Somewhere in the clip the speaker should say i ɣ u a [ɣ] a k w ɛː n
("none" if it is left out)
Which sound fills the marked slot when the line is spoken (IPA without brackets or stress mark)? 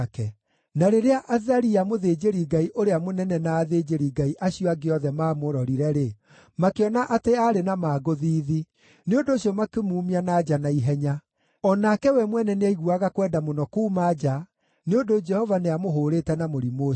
ɣ